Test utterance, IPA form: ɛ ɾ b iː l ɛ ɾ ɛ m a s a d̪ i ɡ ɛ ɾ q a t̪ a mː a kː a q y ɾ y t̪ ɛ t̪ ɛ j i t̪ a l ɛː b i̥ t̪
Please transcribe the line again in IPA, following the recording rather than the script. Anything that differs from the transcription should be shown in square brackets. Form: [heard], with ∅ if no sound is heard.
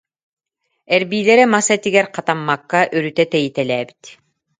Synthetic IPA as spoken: ɛ ɾ b iː l ɛ ɾ ɛ m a s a [t̪] i ɡ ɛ ɾ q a t̪ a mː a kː a [ʔ] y ɾ y t̪ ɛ t̪ ɛ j i t̪ [ɛ] l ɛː b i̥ t̪